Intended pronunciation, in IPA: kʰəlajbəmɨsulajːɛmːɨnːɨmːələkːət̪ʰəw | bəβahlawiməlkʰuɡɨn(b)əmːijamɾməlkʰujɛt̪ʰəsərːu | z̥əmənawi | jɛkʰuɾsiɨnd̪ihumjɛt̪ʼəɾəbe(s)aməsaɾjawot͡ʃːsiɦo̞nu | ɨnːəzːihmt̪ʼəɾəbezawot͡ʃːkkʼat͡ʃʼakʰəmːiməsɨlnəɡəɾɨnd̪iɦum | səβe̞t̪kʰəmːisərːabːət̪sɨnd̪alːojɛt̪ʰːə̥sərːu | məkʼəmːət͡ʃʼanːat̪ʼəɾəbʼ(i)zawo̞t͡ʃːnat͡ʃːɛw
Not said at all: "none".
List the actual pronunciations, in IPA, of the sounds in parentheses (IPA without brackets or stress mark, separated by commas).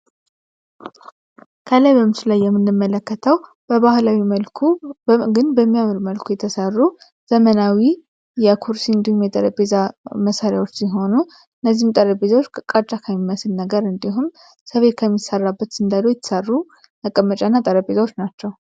b, z, e